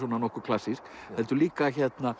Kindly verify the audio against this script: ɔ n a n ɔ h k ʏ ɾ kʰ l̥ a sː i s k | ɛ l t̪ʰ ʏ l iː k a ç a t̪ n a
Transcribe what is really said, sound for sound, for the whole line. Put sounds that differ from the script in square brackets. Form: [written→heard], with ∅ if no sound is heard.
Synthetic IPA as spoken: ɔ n a n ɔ h k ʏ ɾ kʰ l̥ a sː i s k | ɛ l [t̪ʰ→t̪] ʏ l iː k a ç [a→ɛ] t̪ n a